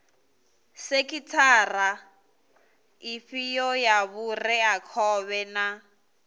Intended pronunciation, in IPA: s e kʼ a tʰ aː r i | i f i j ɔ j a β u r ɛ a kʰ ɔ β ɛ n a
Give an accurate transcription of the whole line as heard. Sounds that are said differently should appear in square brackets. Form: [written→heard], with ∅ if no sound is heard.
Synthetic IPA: s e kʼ [a→i] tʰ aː r [i→a] | i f i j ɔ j a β u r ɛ a kʰ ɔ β ɛ n a